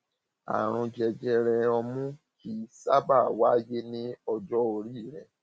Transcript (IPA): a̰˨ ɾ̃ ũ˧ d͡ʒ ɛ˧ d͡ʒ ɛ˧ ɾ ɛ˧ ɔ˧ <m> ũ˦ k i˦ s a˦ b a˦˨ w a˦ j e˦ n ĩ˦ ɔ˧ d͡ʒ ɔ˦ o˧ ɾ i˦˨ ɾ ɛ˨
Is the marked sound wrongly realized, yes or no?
no